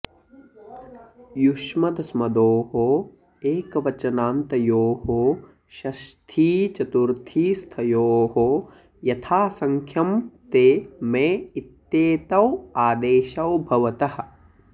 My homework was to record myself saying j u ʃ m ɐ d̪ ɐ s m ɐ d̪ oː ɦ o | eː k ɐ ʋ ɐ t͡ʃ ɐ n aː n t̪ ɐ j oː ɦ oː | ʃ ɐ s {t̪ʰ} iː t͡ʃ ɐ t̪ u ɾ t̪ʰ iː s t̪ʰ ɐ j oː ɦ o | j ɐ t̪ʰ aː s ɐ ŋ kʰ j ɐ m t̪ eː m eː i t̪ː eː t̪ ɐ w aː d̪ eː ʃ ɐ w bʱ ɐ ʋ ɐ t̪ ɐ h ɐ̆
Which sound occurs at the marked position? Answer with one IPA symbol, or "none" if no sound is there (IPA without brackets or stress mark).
t̪ʰ